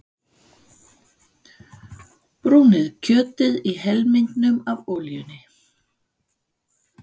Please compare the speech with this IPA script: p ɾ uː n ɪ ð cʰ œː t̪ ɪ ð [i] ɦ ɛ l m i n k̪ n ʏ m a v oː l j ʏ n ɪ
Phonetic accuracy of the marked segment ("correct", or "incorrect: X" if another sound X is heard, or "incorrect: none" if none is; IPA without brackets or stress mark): correct